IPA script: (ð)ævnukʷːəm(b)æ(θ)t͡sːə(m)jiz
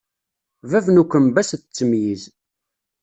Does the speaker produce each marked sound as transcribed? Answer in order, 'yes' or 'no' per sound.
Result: no, yes, no, yes

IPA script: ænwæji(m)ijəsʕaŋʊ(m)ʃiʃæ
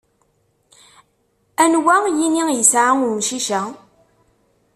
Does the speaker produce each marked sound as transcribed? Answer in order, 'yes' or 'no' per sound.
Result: no, yes

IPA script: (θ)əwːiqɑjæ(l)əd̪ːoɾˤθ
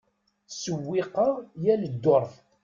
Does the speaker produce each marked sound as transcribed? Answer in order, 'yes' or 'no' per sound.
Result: no, yes

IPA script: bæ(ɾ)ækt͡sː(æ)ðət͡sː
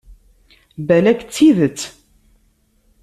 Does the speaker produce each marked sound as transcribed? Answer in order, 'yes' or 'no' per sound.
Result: no, no

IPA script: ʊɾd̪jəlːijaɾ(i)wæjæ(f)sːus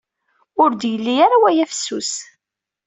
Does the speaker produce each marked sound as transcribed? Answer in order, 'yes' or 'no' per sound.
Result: no, yes

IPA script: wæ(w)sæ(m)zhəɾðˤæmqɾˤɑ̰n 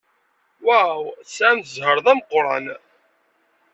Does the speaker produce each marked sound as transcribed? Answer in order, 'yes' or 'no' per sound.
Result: yes, yes

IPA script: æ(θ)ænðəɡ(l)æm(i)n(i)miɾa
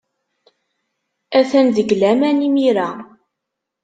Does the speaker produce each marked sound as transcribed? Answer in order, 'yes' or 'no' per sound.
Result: yes, yes, no, yes

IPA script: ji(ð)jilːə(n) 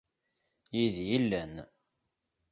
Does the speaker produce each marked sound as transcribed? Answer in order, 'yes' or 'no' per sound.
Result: yes, yes

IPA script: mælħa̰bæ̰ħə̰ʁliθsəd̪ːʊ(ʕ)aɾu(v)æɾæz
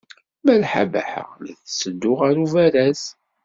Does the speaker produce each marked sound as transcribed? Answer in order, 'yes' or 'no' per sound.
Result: no, yes

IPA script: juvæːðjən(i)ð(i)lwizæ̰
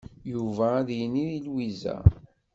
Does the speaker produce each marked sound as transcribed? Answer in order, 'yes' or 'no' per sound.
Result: yes, yes

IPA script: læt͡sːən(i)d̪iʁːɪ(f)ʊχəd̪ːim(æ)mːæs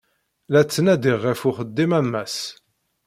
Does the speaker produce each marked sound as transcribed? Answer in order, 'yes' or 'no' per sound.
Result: no, yes, yes

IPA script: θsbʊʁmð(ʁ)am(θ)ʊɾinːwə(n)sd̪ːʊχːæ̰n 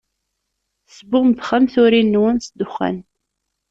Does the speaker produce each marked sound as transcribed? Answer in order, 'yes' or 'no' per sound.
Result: no, yes, yes

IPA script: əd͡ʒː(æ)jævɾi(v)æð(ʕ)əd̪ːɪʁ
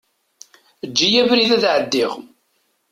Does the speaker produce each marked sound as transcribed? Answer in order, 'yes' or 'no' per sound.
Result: no, no, yes

